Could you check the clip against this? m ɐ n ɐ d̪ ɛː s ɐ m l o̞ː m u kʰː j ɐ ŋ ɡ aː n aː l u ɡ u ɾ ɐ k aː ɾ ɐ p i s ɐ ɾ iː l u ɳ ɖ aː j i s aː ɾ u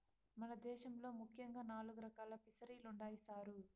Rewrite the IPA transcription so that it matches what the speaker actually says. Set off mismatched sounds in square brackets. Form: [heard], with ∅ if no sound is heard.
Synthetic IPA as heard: m ɐ n ɐ d̪ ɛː [ʃ] ɐ m l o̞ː m u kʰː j ɐ ŋ ɡ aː n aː l u ɡ u ɾ ɐ k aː [l] ɐ p i s ɐ ɾ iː l u ɳ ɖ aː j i s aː ɾ u